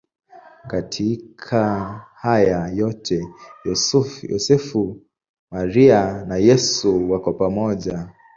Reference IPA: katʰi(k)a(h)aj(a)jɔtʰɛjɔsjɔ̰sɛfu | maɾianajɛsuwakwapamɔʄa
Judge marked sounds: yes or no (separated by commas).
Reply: no, yes, yes